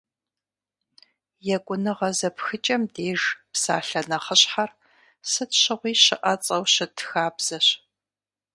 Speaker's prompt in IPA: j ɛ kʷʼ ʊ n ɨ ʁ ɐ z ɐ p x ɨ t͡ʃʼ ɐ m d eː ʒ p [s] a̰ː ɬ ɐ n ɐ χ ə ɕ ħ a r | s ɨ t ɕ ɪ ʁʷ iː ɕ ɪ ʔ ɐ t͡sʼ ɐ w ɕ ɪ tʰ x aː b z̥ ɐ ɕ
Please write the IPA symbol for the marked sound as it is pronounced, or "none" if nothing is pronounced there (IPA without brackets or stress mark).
s